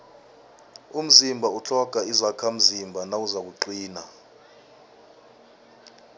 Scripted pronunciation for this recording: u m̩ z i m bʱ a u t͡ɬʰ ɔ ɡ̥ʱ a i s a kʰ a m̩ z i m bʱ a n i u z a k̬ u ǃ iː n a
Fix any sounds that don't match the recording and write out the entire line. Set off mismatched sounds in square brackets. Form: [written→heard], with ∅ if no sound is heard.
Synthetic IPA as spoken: u m̩ z i m bʱ a u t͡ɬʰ ɔ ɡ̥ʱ a i [s→z] a kʰ a m̩ z i m bʱ a n [i→a] u z a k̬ u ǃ iː n a